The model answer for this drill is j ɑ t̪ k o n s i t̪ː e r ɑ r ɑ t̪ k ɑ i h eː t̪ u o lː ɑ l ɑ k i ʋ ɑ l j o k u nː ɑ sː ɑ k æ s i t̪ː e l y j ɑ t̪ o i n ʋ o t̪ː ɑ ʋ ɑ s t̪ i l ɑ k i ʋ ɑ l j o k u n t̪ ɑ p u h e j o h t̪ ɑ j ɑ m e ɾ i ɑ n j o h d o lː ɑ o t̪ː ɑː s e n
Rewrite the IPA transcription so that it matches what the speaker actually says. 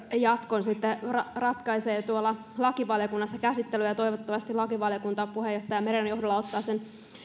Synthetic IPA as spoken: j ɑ t̪ k o n s i t̪ː e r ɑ r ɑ t̪ k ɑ i s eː t̪ u o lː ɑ l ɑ k i ʋ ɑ l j o k u nː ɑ sː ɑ k æ s i t̪ː e l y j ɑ t̪ o i ʋ o t̪ː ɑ ʋ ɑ s t̪ i l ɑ k i ʋ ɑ l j o k u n t̪ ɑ p u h e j o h t̪ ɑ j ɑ m e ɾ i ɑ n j o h d o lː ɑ o t̪ː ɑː s e n